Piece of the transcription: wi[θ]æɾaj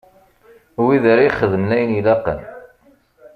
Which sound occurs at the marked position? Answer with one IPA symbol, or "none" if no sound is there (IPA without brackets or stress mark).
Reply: ð